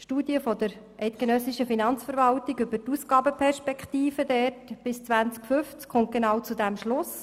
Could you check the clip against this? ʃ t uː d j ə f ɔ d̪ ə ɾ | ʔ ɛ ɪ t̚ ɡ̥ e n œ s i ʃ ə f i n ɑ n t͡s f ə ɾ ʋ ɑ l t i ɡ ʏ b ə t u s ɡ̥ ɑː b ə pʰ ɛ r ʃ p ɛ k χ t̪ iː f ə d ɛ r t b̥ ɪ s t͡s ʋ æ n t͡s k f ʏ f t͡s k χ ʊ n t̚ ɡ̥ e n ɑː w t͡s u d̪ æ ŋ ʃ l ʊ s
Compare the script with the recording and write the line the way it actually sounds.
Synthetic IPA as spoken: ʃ t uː d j ə f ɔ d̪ ə ɾ | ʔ ɛ ɪ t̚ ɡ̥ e n œ s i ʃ ə f i n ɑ n t͡s f ə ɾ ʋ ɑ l t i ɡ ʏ b ə t u s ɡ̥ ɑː b ə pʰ ɛ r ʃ p ɛ k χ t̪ iː f ə d ɛ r t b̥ ɪ s t͡s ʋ æ n t͡s k f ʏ f t͡s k χ ʊ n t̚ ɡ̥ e n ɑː w t͡s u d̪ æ m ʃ l ʊ s